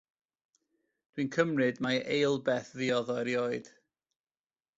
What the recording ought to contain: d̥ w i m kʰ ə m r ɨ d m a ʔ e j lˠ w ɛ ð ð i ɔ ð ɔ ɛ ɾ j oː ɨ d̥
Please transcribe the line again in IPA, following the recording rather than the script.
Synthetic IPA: d̥ w i n kʰ ə m r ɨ d m a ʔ e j lˠ b ɛ θ ð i ɔ ð ɔ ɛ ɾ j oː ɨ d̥